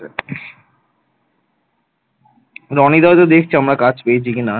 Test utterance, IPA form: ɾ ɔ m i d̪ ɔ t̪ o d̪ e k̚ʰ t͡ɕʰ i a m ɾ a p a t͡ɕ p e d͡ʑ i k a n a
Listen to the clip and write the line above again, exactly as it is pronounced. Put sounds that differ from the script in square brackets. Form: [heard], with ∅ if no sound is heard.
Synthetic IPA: ɾ ɔ [n] i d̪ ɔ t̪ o d̪ e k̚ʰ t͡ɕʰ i a m ɾ a [k] a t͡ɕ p e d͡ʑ i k [i] n a

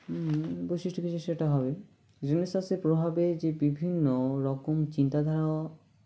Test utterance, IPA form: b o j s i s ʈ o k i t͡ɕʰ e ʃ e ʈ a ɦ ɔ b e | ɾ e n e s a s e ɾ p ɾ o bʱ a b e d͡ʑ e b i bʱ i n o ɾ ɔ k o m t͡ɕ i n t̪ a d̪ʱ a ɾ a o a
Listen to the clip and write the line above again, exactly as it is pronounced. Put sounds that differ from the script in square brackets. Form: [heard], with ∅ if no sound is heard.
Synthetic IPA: b o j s i [ʃ] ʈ o k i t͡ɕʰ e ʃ e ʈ a ɦ ɔ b e | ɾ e n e s a s e ɾ p ɾ o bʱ a b e d͡ʑ e b i bʱ i [nː] o ɾ ɔ k o m t͡ɕ i n t̪ a d̪ʱ a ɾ a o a

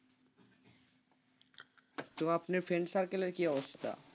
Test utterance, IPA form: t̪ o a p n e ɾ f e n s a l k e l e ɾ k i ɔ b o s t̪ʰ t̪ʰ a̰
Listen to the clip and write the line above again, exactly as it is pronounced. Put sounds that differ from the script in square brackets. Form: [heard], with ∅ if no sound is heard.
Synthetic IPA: t̪ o a p n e ɾ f e n s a [ɾ] k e l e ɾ k i ɔ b o s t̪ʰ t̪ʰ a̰

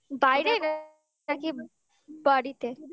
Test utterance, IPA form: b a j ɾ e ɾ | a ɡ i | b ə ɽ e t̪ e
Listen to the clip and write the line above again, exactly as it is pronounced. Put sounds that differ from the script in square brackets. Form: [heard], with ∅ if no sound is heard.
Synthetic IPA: b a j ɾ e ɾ | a [k] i | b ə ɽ [i] t̪ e

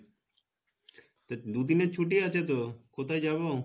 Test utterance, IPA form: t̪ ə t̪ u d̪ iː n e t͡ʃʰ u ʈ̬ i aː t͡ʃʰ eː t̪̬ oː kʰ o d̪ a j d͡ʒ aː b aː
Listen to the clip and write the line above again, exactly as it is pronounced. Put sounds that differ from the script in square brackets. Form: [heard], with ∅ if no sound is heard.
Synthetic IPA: t̪ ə [d̪] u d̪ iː n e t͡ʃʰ u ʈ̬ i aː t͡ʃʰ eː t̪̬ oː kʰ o [t̪] a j d͡ʒ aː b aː

